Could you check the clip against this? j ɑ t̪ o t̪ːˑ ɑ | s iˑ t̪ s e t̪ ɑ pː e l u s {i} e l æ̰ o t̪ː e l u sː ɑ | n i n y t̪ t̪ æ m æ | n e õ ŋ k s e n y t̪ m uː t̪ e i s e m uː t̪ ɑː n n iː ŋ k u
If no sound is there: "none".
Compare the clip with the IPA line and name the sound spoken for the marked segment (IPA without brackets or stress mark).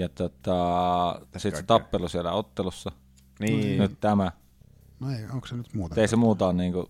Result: i